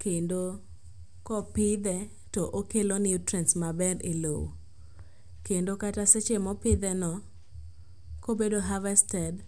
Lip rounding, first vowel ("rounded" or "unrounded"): unrounded